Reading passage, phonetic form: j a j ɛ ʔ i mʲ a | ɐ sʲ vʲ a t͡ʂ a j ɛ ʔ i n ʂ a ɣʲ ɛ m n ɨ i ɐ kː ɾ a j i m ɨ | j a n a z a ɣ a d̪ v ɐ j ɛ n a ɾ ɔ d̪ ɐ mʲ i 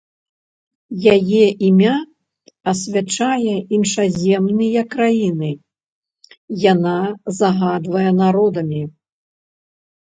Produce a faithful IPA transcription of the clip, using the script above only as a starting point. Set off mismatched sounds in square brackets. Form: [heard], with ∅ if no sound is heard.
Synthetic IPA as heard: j a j ɛ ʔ i mʲ a | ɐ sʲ vʲ a t͡ʂ a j ɛ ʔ i n ʂ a [zʲ] ɛ m n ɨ [j] ɐ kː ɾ a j i [n] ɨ | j a n a z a ɣ a d̪ v ɐ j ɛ n a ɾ ɔ d̪ ɐ mʲ i